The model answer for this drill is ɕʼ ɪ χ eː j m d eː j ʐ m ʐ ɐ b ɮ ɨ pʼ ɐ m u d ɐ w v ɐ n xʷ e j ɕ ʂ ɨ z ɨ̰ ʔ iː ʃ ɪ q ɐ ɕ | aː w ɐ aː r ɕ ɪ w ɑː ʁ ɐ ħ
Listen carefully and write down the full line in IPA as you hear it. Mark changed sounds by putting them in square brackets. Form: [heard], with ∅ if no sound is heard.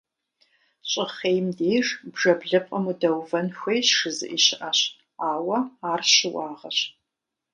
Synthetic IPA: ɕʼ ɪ χ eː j m d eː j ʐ [b] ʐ ɐ b ɮ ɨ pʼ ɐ m u d ɐ w v ɐ n xʷ e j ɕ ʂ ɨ z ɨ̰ ʔ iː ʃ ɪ [ʔ] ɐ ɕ | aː w ɐ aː r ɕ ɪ w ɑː ʁ ɐ [ɕ]